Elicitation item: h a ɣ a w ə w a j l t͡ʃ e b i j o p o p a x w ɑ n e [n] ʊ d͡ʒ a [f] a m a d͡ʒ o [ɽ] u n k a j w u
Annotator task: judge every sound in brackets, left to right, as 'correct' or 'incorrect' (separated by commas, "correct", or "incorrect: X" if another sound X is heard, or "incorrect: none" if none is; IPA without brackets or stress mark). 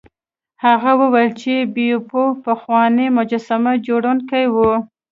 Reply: incorrect: m, incorrect: s, correct